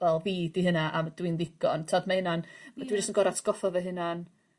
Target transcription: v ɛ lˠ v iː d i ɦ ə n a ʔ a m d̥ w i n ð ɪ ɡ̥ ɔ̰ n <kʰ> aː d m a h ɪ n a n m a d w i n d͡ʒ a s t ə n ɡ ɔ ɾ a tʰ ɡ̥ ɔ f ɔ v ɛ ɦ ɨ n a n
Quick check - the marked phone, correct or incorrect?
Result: incorrect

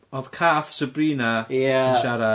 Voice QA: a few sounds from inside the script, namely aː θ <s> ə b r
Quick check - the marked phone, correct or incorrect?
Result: correct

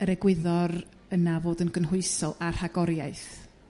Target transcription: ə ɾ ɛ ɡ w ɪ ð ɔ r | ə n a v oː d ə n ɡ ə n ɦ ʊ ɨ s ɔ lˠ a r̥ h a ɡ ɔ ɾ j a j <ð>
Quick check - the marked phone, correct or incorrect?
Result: incorrect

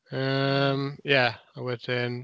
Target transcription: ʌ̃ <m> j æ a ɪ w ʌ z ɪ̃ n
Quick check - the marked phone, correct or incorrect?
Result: correct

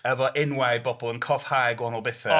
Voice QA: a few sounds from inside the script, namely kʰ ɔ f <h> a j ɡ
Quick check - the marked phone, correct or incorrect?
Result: correct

